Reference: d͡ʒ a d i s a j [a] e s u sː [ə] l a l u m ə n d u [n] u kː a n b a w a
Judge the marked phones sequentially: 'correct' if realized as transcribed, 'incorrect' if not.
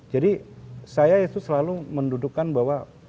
correct, correct, incorrect: d

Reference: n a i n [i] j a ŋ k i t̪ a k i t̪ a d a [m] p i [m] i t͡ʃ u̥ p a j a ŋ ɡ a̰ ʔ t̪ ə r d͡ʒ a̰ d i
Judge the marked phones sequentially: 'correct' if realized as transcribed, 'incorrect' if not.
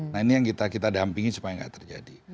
correct, correct, incorrect: ŋ

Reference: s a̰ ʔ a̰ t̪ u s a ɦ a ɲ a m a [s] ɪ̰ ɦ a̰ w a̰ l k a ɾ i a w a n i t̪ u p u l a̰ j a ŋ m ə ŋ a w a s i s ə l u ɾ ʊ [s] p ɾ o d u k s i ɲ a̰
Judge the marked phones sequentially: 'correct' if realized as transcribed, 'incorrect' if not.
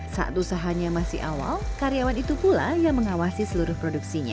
correct, incorrect: h

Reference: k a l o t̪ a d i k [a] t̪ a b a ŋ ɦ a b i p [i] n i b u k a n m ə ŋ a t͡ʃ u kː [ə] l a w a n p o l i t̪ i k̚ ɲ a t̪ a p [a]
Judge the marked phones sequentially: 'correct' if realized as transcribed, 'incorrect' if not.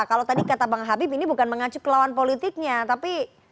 correct, correct, correct, incorrect: i

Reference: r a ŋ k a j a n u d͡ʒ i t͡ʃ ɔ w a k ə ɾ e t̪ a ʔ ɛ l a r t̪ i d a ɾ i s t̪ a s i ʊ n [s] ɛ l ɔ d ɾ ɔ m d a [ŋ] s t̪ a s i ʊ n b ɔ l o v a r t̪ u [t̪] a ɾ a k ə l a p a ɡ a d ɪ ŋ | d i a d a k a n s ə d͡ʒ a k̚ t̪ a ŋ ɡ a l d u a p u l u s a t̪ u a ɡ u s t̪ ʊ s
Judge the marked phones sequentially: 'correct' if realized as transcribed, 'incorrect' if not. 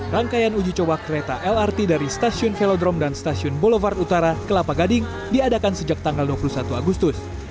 incorrect: f, incorrect: n, correct

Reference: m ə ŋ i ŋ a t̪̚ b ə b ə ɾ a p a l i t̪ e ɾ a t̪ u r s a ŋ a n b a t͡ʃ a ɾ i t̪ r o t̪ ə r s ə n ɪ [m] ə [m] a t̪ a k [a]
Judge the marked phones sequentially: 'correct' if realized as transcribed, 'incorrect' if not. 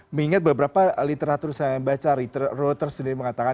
correct, incorrect: ŋ, correct

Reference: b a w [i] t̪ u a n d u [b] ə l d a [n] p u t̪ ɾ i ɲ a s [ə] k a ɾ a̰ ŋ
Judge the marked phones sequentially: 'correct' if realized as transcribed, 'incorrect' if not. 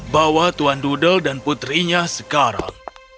incorrect: a, incorrect: d, correct, correct

